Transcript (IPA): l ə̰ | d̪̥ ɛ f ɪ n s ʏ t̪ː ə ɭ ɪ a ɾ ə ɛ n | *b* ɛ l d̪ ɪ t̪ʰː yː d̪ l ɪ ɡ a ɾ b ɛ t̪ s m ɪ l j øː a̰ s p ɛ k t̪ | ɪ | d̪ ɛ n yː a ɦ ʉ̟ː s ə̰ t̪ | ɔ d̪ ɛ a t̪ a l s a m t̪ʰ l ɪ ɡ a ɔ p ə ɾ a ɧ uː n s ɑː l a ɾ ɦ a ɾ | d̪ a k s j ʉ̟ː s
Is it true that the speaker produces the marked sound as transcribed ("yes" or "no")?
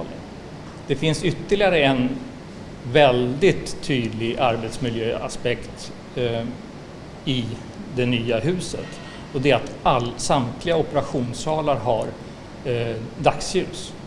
no